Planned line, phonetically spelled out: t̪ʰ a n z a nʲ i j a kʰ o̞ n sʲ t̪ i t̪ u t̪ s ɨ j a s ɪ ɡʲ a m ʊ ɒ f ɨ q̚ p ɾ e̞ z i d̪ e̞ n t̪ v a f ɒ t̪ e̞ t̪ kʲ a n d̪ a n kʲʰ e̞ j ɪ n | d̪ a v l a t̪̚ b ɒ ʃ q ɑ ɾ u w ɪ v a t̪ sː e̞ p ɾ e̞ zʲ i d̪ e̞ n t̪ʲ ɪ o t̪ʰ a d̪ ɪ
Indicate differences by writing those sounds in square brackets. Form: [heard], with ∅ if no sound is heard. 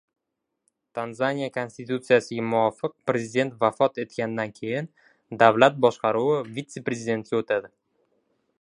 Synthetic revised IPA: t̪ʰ a n z a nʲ i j a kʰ o̞ n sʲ t̪ i t̪ u t̪ s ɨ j a s ɪ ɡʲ a m ʊ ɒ f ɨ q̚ p ɾ e̞ z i d̪ e̞ n t̪ v a f ɒ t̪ e̞ t̪ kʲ a n d̪ a n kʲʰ e̞ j ɪ n | d̪ a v l a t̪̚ b ɒ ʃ q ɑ ɾ u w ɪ v [i] t̪ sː e̞ p ɾ e̞ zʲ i d̪ e̞ n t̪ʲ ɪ o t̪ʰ a d̪ ɪ